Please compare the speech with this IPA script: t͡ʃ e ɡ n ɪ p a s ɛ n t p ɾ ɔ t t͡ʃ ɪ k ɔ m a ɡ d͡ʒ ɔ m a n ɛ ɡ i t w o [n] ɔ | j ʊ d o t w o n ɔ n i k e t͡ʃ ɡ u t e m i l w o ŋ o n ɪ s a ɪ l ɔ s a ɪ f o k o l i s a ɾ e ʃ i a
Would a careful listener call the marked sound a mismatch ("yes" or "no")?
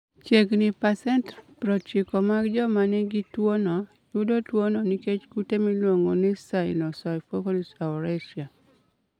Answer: no